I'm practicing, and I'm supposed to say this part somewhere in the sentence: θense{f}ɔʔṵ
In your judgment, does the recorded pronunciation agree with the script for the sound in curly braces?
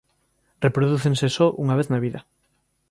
no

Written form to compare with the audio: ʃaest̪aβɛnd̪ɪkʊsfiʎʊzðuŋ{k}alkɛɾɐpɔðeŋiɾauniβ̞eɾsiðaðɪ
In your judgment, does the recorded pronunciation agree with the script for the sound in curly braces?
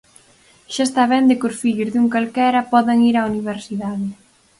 yes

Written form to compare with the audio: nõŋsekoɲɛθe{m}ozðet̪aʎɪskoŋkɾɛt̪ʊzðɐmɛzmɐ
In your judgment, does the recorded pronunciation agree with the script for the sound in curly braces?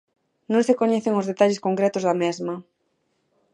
no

